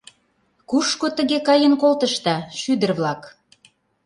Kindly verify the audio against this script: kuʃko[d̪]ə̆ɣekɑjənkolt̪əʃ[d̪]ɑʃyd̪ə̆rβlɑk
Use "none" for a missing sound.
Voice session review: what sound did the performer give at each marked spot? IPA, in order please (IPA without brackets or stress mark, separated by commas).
t̪, t̪